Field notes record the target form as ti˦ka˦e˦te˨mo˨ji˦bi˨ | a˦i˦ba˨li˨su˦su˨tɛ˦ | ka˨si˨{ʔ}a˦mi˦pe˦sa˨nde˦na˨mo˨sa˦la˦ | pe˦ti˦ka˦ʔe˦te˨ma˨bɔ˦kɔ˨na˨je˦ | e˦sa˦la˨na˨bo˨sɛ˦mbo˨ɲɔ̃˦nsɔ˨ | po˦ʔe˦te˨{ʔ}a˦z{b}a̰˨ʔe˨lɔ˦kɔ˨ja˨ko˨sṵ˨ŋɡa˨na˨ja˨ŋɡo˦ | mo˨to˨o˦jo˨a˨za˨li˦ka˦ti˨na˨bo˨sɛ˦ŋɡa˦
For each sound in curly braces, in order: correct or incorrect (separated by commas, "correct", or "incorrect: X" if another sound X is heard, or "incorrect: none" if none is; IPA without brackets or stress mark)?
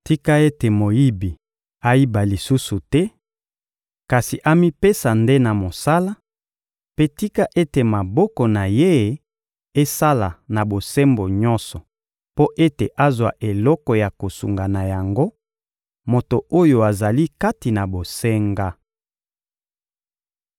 correct, correct, incorrect: w